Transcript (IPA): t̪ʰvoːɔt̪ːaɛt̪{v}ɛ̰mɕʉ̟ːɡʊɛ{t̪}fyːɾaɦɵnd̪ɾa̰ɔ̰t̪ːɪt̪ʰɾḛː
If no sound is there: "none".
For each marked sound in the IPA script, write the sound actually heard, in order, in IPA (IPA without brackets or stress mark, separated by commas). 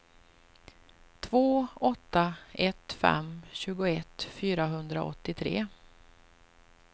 f, t̪